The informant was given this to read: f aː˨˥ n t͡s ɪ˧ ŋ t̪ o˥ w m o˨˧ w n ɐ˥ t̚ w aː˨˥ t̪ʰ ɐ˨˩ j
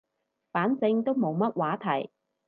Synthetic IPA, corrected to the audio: f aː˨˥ n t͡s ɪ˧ ŋ t̪ o˥ w m o˨˧ w m ɐ˥ t̚ w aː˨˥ t̪ʰ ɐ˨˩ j